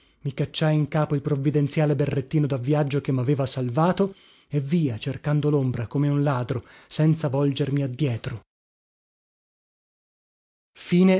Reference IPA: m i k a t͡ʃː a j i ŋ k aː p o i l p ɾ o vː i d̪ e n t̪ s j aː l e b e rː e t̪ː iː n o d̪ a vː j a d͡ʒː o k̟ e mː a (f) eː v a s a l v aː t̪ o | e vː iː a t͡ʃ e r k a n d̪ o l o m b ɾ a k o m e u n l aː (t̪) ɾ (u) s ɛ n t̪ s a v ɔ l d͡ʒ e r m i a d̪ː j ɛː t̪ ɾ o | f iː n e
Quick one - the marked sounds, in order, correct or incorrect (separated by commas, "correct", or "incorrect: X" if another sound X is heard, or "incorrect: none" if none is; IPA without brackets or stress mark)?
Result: incorrect: v, incorrect: d̪, incorrect: o